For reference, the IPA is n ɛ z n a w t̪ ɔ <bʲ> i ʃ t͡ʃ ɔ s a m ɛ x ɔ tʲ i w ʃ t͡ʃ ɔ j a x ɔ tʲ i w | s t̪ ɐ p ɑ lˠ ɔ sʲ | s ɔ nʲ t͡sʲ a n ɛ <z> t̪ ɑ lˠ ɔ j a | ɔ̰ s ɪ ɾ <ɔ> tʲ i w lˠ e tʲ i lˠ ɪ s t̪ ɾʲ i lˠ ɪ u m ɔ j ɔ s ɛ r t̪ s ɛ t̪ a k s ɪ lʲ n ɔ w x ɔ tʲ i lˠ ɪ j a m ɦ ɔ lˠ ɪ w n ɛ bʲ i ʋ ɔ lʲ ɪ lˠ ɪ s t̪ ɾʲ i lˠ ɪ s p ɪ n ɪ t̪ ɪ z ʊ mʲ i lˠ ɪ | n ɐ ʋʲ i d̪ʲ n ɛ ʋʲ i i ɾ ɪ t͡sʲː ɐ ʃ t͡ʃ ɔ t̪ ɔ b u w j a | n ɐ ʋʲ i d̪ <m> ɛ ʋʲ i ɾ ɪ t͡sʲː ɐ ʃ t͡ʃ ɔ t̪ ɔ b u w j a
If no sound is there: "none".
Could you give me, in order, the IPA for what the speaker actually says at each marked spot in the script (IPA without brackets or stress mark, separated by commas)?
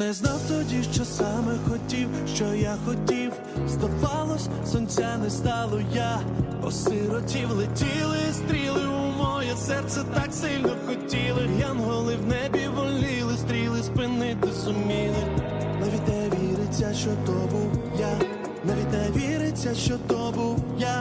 dʲ, s, ɔ, n